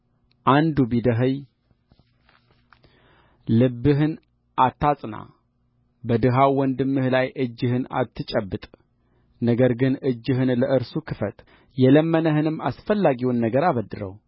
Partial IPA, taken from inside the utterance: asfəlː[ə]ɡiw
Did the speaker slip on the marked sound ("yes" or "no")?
yes